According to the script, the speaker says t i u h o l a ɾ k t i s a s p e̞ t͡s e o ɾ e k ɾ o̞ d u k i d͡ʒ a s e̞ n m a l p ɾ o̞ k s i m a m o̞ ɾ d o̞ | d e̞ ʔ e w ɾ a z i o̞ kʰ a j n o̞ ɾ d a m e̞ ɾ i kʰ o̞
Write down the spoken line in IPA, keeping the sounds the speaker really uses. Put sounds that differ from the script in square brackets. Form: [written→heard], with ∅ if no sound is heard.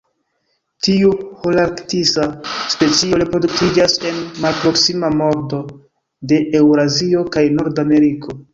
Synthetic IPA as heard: t i u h o l a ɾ k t i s a s p e̞ t͡s [e→i] o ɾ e [k→p] ɾ o̞ d u k i d͡ʒ a s e̞ n m a l p ɾ o̞ k s i m a m o̞ ɾ d o̞ | d e̞ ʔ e w ɾ a z i o̞ [kʰ→k] a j n o̞ ɾ d a m e̞ ɾ i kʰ o̞